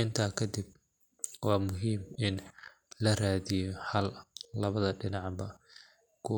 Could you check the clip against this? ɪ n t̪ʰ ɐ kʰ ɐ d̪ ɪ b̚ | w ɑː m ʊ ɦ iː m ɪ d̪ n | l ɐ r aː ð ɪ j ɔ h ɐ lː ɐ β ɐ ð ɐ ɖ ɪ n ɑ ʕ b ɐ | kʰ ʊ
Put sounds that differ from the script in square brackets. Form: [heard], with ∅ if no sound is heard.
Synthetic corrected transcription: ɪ n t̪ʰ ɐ kʰ ɐ d̪ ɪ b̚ | w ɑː m ʊ ɦ iː m ɪ [∅] n | l ɐ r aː ð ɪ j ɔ h ɐ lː ɐ β ɐ ð ɐ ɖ ɪ n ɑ ʕ b ɐ | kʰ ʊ